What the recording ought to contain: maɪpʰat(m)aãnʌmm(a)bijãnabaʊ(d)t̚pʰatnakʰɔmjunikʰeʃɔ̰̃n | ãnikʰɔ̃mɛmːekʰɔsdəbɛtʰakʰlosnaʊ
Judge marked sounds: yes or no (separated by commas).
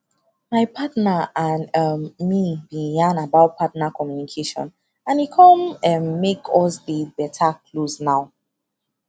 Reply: no, no, no